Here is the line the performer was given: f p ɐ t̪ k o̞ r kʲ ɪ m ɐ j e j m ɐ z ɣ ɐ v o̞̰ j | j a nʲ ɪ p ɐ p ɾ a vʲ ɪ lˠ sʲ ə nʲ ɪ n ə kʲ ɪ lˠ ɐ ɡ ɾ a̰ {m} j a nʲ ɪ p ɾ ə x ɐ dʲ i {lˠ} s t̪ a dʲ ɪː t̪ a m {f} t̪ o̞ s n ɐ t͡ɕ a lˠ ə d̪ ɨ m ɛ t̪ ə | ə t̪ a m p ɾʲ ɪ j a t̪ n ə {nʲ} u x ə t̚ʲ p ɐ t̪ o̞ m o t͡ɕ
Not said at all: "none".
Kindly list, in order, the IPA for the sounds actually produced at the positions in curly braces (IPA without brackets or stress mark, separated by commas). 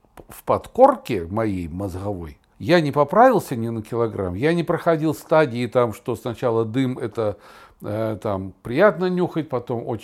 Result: m, lˠ, ʂ, nʲ